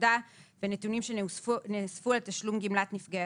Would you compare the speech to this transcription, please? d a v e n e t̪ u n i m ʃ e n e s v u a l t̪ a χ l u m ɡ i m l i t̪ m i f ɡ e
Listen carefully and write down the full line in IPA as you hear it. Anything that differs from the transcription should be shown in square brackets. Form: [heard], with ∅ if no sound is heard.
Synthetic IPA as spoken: d a v e n e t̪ u n i m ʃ e n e s [f] u a l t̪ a [ʃ] l u m ɡ i m l [a] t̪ [n] i f ɡ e